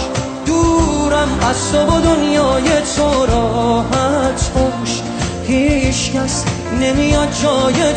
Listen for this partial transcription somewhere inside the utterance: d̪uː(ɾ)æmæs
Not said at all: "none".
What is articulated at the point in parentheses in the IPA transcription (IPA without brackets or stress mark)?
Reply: ɾ